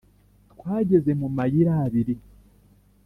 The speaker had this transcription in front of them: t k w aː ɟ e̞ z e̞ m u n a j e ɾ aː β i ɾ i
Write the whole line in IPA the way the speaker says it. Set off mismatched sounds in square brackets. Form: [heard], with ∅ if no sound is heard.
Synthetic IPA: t k w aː ɟ e̞ z e̞ m u [m] a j [i] ɾ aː β i ɾ i